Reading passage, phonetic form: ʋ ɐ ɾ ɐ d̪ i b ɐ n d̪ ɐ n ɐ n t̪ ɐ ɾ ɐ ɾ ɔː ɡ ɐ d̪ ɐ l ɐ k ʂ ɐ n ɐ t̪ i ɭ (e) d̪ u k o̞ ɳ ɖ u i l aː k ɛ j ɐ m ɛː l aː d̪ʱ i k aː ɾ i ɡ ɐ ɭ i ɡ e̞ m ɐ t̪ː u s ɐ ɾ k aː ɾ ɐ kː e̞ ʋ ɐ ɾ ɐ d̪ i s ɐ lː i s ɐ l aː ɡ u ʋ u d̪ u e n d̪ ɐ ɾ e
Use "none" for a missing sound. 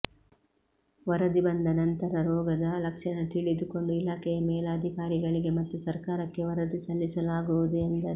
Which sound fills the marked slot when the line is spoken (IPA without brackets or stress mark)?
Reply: i